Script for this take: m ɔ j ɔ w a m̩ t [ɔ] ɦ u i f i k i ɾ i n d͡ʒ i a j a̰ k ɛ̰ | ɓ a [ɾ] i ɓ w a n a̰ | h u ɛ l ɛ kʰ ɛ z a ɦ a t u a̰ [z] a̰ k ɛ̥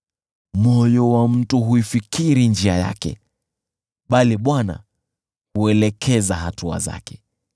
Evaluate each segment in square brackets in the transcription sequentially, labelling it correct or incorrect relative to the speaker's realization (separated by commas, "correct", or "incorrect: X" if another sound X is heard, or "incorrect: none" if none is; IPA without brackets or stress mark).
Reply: incorrect: u, incorrect: l, correct